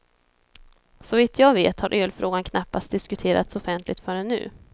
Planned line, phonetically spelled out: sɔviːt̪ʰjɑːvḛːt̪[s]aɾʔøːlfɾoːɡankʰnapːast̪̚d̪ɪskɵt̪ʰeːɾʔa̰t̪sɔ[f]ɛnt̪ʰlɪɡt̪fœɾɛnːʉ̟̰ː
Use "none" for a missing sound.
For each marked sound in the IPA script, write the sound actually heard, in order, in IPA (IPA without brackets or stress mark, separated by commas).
h, f